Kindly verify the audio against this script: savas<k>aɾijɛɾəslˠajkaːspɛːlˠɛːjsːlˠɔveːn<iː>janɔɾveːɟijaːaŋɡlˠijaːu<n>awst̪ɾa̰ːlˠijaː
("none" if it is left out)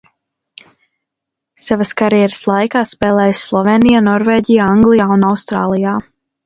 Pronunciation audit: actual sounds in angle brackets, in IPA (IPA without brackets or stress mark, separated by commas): k, i, n